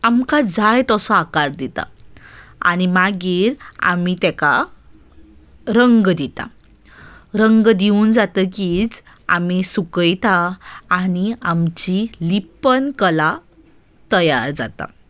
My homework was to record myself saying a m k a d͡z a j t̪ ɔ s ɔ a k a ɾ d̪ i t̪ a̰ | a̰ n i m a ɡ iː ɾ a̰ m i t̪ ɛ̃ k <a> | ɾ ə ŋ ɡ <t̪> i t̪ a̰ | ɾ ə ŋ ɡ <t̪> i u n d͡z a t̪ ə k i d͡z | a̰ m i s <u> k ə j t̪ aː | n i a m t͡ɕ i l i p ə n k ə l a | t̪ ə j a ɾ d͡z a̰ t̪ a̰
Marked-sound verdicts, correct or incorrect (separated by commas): correct, incorrect, incorrect, correct